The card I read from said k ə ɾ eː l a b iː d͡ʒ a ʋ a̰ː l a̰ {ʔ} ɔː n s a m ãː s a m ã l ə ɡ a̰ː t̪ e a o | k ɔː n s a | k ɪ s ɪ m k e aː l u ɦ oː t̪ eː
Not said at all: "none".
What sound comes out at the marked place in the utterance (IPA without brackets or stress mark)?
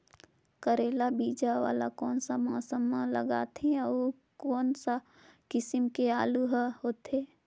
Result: k